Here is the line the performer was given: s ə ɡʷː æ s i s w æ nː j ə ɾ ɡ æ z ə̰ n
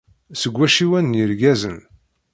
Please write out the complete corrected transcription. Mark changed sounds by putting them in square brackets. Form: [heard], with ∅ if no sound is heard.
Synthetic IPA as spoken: s ə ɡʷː æ [ʃ] i [∅] w æ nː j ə ɾ ɡ æ z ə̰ n